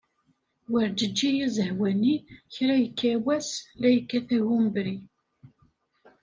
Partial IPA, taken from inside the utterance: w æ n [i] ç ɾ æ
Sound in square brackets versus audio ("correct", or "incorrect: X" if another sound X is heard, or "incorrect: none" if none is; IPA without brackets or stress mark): correct